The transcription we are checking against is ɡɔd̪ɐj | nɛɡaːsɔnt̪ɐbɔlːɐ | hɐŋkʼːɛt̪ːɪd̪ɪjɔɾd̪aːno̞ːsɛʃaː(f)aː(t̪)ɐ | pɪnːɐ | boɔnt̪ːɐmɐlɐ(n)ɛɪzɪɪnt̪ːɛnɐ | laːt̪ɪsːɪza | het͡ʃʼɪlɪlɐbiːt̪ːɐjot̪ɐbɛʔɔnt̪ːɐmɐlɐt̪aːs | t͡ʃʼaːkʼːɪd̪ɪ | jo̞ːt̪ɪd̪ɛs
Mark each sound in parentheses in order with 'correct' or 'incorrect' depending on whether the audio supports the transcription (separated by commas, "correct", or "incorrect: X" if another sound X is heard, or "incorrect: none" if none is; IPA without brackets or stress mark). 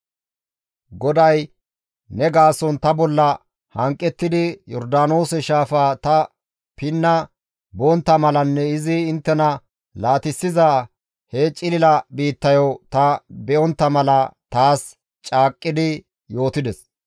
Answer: correct, correct, incorrect: nː